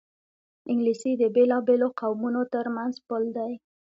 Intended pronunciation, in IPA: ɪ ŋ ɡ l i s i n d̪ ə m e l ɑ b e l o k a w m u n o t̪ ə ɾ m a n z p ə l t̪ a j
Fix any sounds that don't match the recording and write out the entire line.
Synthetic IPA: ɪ ŋ ɡ l i s i d̪ ə b e l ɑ b e l o q a w m u n o t̪ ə ɾ m a n z p ə l d̪ a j